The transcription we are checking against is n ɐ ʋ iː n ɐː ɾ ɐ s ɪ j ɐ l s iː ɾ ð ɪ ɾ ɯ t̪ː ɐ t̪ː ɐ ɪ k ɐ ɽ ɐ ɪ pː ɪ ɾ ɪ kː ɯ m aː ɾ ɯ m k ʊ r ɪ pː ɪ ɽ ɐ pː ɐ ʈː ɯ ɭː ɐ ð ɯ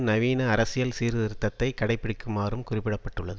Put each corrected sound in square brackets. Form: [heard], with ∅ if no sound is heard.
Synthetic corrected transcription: n ɐ ʋ iː n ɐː ɾ ɐ s ɪ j ɐ l s iː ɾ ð ɪ ɾ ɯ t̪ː ɐ t̪ː ɐ ɪ k ɐ ɽ ɐ ɪ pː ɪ [ɽ] ɪ kː ɯ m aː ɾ ɯ m k ʊ r ɪ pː ɪ ɽ ɐ pː ɐ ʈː ɯ ɭː ɐ ð ɯ

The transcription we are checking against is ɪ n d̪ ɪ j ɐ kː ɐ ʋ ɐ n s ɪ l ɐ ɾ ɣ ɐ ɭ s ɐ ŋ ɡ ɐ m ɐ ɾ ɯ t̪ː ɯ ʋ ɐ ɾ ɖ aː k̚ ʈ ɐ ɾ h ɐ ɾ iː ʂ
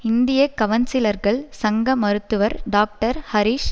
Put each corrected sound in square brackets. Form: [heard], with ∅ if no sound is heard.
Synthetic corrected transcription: ɪ n d̪ ɪ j ɐ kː ɐ ʋ ɐ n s ɪ l ɐ ɾ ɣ ɐ ɭ s ɐ ŋ ɡ ɐ m ɐ ɾ ɯ t̪ː ɯ ʋ ɐ ɾ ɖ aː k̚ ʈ ɐ ɾ h ɐ ɾ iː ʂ

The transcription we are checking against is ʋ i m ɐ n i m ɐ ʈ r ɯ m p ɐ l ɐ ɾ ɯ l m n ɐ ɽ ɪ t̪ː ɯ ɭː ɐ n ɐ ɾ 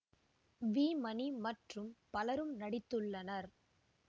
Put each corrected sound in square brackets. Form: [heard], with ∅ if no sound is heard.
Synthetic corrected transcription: ʋ [iː] m ɐ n i m ɐ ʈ r ɯ m p ɐ l ɐ ɾ ɯ [∅] m n ɐ ɽ ɪ t̪ː ɯ ɭː ɐ n ɐ ɾ

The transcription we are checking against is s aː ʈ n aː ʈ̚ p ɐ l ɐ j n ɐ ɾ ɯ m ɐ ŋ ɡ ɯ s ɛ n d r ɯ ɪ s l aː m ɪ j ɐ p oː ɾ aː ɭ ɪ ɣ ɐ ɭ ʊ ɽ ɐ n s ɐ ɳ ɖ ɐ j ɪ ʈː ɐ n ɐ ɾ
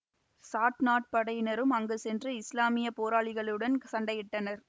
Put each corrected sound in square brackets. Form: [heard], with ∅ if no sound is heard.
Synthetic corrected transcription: s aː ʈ n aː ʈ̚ p ɐ [ɽ] ɐ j n ɐ ɾ ɯ m ɐ ŋ ɡ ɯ s ɛ n d r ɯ ɪ s l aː m ɪ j ɐ p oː ɾ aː ɭ ɪ ɣ ɐ ɭ [ɯ] ɽ ɐ n s ɐ ɳ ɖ ɐ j ɪ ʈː ɐ n ɐ ɾ

